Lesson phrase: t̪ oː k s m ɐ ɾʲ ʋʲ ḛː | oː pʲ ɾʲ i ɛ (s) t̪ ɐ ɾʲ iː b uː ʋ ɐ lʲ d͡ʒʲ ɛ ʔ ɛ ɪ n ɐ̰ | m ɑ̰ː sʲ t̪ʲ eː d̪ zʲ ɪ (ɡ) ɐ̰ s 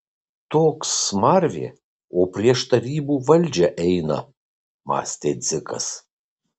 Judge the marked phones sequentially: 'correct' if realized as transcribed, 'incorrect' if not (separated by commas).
incorrect, incorrect